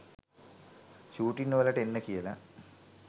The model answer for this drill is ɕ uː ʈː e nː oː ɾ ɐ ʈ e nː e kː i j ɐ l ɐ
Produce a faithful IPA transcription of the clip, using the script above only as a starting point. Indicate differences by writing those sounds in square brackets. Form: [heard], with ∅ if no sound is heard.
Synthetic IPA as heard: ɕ uː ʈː [i] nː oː [l] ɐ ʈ e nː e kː i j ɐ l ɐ